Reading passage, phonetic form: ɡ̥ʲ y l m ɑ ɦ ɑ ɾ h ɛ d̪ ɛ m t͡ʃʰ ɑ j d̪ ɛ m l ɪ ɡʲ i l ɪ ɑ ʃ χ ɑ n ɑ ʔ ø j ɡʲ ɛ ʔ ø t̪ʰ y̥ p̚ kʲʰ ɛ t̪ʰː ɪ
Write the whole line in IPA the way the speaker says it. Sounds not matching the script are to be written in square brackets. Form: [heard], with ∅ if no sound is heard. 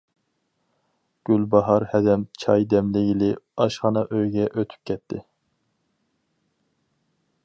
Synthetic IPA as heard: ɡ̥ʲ y l [b] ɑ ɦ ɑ ɾ h ɛ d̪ ɛ m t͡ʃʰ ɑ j d̪ ɛ m l ɪ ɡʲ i l ɪ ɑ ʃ χ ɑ n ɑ ʔ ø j ɡʲ ɛ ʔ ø t̪ʰ y̥ p̚ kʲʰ ɛ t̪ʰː ɪ